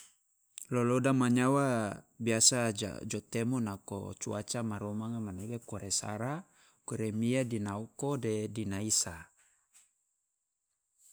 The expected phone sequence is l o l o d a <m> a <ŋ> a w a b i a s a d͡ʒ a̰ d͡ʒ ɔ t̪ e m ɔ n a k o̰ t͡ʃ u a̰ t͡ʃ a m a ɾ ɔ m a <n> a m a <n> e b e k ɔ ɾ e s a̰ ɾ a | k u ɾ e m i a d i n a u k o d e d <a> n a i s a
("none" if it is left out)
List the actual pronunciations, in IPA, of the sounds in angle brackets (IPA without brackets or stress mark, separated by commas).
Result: m, ɲ, ŋ, n, i